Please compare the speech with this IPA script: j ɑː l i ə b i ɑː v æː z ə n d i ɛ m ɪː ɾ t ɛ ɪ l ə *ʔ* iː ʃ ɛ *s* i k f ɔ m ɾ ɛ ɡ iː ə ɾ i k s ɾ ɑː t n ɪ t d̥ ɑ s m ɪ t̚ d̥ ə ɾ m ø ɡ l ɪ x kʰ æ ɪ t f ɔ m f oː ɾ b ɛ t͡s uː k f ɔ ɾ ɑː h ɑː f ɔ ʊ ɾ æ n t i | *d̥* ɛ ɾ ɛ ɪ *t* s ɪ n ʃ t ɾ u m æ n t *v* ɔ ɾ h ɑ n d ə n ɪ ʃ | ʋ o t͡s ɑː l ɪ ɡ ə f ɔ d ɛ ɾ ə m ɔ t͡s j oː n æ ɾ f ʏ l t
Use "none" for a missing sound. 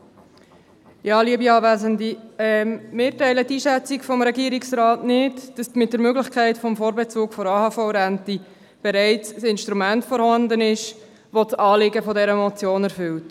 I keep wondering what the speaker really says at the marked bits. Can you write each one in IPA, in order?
t, t͡s, b̥, t͡s, f

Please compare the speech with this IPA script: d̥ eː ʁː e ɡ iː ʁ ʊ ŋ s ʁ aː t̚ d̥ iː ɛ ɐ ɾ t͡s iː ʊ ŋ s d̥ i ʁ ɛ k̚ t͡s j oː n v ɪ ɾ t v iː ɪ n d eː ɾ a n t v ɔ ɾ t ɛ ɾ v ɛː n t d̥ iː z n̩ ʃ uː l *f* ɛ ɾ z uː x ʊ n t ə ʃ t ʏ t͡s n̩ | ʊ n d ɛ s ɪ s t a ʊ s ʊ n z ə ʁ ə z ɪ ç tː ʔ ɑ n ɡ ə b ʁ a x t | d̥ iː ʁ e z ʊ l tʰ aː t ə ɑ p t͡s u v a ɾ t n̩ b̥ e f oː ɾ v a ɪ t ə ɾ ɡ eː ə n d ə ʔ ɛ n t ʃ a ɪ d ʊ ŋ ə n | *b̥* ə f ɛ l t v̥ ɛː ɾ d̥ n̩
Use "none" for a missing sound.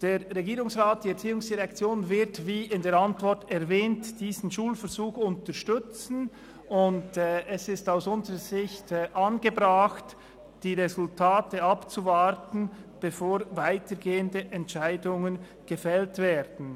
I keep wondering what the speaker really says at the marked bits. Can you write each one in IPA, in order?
f, ɡ̥

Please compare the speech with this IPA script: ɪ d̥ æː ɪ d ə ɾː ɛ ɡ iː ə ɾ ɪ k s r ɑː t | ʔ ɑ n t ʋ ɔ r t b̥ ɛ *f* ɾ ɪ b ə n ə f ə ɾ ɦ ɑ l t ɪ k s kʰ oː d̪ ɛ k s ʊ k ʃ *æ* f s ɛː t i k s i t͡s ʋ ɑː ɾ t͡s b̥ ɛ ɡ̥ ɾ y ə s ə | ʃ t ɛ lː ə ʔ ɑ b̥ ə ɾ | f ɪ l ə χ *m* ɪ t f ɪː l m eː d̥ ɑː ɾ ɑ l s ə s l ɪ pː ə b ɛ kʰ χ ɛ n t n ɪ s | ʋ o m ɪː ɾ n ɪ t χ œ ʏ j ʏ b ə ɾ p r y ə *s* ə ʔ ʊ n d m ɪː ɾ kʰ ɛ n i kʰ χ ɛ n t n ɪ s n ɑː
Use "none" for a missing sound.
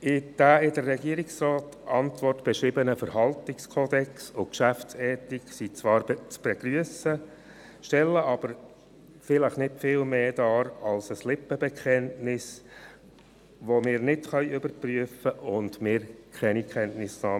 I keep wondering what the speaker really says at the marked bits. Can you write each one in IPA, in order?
ʃ, æ, n, f

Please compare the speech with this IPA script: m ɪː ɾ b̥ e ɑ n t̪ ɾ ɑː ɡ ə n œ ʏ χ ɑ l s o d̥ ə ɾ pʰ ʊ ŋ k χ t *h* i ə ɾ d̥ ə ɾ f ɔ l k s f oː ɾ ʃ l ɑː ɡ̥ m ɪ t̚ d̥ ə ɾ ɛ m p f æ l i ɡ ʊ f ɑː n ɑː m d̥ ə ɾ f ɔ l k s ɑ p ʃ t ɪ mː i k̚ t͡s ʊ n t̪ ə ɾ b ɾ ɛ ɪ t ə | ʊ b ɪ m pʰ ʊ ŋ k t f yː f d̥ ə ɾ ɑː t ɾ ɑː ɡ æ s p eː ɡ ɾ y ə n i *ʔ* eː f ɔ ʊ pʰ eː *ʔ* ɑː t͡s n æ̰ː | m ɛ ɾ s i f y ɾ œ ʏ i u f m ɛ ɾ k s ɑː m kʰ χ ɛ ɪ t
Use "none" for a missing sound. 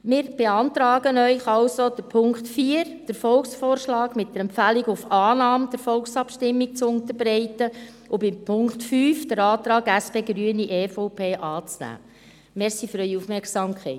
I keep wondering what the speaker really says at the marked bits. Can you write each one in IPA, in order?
f, ʔ, ʔ

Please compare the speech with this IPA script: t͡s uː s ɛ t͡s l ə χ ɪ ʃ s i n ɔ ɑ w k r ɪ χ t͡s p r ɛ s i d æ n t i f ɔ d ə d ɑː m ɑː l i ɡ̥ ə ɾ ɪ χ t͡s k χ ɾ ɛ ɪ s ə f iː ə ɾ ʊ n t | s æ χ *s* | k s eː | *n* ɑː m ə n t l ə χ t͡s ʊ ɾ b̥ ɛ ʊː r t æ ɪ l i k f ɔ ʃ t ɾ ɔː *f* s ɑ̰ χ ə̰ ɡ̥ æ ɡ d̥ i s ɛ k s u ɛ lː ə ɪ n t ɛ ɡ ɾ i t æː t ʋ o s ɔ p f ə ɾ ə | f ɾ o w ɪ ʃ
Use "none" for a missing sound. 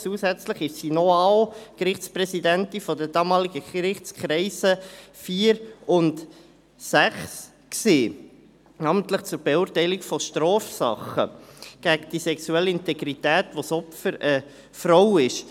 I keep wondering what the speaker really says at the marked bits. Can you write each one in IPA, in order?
s, n, f

